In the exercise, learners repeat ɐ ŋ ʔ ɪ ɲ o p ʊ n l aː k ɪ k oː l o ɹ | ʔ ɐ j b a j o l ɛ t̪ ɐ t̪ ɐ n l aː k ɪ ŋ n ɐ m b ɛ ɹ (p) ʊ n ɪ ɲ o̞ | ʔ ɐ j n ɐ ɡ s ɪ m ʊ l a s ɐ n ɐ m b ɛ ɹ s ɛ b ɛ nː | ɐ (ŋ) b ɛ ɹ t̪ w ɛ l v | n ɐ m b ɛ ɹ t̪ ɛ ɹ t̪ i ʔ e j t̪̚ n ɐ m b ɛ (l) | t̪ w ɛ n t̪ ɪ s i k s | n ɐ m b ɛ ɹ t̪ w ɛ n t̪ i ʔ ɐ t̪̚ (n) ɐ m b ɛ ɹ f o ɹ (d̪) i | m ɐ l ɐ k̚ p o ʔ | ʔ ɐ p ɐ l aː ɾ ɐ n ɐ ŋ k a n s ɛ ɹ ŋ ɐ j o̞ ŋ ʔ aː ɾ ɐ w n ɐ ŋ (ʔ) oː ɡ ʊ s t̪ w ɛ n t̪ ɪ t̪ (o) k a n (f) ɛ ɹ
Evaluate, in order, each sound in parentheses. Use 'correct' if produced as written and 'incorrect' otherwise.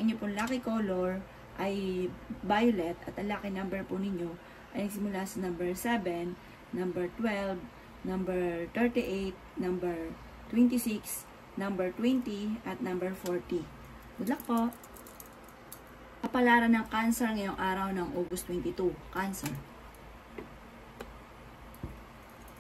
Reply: correct, incorrect, incorrect, correct, incorrect, correct, incorrect, incorrect

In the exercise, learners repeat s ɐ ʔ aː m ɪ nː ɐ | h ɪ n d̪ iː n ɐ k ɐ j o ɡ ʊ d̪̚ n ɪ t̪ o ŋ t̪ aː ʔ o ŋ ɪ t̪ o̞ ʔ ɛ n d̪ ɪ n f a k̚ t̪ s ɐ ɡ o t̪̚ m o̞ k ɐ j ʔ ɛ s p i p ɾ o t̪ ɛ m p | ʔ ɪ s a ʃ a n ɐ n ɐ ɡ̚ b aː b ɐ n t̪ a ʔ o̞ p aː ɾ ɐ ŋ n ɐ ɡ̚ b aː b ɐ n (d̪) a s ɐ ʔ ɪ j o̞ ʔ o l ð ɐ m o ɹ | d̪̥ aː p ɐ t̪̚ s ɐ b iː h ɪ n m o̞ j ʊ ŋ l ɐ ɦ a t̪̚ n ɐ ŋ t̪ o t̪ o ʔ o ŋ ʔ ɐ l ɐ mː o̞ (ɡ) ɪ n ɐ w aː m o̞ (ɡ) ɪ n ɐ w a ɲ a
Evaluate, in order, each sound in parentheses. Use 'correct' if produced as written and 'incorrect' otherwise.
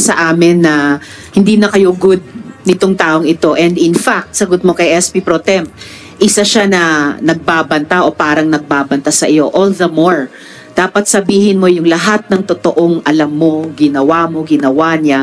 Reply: incorrect, correct, correct

